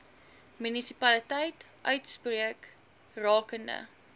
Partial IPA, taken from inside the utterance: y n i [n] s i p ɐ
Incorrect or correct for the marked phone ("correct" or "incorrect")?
incorrect